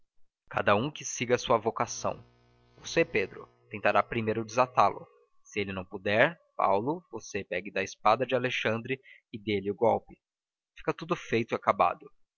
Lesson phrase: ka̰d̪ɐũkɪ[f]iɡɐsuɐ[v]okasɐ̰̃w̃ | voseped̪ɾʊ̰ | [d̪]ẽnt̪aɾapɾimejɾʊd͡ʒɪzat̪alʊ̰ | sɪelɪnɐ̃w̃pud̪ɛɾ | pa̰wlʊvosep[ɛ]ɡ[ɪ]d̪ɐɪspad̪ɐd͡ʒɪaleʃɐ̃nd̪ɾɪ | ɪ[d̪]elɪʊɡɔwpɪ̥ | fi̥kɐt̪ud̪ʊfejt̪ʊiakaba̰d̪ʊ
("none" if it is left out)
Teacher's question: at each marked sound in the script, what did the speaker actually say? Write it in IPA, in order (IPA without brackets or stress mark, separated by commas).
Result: s, v, t̪, ɛ, ɪ, d̪